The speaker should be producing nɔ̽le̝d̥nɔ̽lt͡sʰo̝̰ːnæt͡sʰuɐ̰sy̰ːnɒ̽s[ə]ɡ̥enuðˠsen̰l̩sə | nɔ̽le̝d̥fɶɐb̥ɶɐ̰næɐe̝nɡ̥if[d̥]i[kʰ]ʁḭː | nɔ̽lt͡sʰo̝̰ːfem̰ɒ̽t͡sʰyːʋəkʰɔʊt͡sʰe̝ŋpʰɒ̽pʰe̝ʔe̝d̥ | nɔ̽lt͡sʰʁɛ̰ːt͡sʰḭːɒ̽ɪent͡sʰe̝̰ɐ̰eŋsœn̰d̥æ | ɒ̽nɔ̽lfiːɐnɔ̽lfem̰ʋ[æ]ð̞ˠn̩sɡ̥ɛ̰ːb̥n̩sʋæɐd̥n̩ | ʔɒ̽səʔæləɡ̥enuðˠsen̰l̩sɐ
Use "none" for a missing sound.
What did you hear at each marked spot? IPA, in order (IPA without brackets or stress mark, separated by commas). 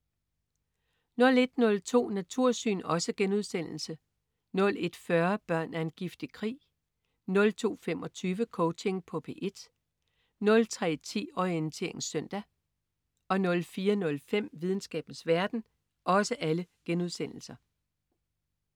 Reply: ə, d̥, kʰ, i